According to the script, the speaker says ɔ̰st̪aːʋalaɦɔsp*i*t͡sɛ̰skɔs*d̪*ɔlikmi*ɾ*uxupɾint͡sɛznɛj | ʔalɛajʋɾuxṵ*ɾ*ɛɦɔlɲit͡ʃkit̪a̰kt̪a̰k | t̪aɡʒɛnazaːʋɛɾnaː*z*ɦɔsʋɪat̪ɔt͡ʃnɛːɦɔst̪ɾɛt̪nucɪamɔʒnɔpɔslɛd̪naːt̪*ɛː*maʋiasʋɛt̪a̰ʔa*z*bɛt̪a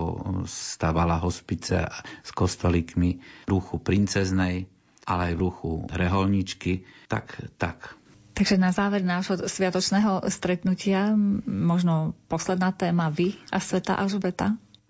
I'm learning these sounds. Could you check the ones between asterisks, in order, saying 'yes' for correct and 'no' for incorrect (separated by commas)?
yes, no, yes, yes, no, yes, no